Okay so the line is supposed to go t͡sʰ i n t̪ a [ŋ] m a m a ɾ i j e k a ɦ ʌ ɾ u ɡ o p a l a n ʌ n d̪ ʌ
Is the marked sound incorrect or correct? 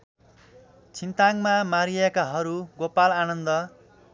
correct